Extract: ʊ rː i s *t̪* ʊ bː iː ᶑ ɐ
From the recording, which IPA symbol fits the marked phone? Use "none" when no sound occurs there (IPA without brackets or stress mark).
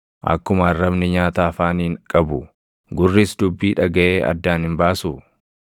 d̪